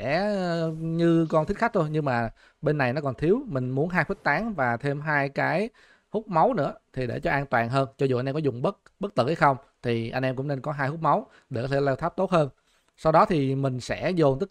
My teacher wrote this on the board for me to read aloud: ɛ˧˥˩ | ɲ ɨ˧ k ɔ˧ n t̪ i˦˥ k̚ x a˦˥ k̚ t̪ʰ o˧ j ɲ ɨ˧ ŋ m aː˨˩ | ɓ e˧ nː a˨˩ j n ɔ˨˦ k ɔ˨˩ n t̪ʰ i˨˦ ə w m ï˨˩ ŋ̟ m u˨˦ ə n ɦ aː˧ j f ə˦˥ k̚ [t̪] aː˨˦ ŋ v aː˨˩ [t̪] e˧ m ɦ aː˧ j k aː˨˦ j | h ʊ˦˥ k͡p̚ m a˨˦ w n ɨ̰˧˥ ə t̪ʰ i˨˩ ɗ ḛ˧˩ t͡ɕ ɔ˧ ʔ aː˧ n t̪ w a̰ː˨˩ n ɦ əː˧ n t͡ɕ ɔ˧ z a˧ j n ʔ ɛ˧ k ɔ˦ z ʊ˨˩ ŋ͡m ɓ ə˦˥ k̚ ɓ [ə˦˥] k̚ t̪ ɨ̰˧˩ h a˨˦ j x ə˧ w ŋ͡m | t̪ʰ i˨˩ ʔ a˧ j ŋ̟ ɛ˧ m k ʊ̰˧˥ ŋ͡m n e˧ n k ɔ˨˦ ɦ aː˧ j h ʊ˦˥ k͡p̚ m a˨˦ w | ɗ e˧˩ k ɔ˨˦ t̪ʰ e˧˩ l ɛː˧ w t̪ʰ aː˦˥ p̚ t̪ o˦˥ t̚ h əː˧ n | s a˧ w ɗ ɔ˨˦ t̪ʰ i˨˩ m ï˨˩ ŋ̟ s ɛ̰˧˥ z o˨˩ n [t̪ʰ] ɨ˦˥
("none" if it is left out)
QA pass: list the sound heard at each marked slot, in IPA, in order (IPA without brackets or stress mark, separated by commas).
t̪, t̪ʰ, ə˦˥, t̪